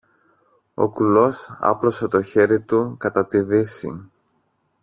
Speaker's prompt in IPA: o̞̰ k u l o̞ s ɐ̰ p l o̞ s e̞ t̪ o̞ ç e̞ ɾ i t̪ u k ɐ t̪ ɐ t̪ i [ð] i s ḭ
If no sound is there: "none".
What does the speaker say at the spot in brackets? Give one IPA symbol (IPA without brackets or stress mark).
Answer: ð